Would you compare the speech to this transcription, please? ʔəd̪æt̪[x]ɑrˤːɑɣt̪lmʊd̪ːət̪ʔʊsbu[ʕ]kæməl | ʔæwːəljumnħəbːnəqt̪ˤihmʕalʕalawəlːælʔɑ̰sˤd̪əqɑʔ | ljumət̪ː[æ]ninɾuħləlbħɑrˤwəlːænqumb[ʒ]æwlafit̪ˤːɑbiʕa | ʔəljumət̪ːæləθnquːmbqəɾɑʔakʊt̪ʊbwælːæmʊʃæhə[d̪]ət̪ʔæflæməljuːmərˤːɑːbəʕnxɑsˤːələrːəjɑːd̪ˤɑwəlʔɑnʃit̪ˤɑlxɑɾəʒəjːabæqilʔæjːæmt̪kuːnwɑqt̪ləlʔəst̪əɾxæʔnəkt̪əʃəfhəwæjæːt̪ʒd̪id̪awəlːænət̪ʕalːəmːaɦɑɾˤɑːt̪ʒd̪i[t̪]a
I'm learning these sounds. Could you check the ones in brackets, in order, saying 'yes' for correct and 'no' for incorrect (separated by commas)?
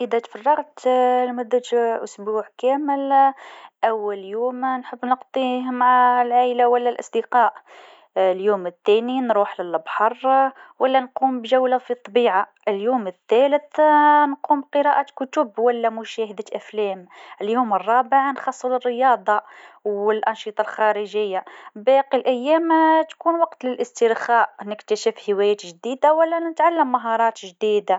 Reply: no, yes, yes, yes, yes, no